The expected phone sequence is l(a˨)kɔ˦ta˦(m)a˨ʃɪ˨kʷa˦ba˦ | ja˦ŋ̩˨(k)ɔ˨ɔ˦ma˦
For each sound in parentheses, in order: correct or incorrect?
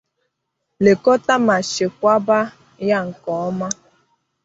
incorrect, correct, correct

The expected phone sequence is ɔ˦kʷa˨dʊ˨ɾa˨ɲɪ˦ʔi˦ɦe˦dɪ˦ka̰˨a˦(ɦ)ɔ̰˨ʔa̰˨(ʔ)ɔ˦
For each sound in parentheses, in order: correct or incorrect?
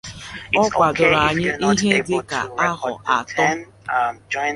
correct, incorrect

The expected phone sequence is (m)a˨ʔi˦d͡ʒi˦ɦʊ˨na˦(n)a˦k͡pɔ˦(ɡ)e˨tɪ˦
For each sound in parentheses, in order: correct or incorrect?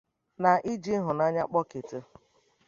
incorrect, incorrect, incorrect

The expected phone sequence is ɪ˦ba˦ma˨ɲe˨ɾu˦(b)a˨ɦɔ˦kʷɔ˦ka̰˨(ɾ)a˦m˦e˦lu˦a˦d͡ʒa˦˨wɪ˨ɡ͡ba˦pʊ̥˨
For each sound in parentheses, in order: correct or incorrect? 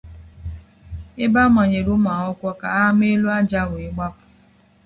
incorrect, incorrect

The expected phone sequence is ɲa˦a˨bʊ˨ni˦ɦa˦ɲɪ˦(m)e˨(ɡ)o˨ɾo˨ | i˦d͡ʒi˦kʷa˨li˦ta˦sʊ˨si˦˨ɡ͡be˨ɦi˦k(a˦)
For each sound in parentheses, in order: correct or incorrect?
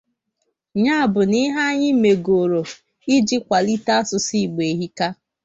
correct, correct, correct

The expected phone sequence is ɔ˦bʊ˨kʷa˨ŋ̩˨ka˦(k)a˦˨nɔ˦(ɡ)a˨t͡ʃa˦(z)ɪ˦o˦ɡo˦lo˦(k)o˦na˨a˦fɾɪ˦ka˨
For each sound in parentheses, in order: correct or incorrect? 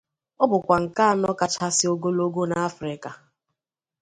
incorrect, incorrect, incorrect, incorrect

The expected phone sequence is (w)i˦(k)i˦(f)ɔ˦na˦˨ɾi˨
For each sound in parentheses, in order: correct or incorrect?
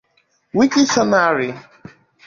correct, correct, incorrect

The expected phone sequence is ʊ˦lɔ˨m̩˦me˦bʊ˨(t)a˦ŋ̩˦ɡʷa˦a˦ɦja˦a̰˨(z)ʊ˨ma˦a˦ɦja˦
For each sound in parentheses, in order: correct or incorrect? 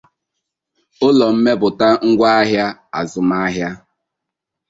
correct, correct

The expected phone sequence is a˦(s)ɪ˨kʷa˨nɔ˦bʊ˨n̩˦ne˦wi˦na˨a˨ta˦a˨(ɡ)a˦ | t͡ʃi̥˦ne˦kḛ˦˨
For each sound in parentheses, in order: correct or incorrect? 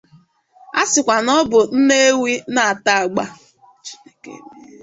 correct, incorrect

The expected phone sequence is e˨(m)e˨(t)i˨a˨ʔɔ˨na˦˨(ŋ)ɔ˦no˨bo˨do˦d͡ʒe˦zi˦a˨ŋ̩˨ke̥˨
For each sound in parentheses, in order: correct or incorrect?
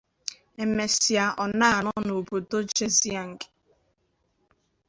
correct, incorrect, incorrect

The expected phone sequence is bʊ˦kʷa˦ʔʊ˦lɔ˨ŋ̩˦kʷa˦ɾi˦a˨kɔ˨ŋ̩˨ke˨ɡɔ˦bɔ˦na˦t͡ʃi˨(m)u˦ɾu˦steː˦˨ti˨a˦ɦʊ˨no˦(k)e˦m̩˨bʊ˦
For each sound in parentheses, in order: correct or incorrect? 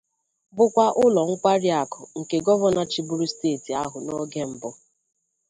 incorrect, incorrect

